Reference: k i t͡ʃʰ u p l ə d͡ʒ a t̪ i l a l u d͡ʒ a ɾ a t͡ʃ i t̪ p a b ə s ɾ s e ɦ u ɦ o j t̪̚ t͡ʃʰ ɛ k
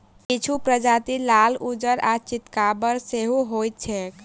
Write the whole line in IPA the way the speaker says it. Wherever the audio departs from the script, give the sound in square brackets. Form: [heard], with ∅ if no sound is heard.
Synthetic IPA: k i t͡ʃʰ u p [ɾ] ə d͡ʒ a t̪ i l a l u d͡ʒ [ə] ɾ a t͡ʃ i t̪ [k] a b ə [∅] ɾ s e ɦ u ɦ o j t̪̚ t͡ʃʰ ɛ k